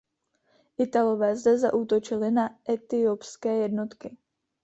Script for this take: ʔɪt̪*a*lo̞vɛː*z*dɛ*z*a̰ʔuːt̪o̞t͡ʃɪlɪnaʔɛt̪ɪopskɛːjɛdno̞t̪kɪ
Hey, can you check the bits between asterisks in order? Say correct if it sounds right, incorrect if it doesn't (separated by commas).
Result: correct, correct, correct